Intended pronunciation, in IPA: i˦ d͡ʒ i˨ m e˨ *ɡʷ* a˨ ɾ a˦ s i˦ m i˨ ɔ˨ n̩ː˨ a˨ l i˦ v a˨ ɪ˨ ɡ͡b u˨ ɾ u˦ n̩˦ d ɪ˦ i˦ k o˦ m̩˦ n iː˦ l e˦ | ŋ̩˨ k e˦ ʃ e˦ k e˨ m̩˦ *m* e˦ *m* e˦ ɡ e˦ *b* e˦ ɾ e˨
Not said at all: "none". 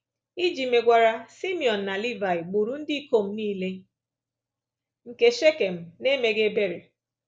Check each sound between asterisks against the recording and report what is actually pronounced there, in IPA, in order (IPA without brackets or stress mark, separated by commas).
ɡʷ, n, m, b